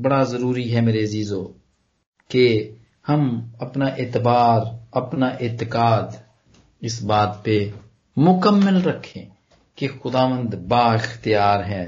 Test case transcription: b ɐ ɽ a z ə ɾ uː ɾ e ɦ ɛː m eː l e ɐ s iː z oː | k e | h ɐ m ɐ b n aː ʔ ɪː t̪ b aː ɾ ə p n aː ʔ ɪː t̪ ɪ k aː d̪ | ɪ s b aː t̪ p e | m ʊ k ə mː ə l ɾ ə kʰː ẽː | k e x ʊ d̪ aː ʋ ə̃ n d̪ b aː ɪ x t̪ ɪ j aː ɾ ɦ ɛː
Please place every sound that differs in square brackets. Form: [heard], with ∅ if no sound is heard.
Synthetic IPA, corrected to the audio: b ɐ ɽ a z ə ɾ uː ɾ [i] ɦ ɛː m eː [ɾ] e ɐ [z] iː z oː | k e | h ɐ m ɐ [p] n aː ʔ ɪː t̪ b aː ɾ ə p n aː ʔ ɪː t̪ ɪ k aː d̪ | ɪ s b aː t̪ p e | m ʊ k ə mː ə l ɾ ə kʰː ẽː | k e x ʊ d̪ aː ʋ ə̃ n d̪ b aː ɪ x t̪ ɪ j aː ɾ ɦ ɛː